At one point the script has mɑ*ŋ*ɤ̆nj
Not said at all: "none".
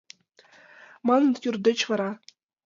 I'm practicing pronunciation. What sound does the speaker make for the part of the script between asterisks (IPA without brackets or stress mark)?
n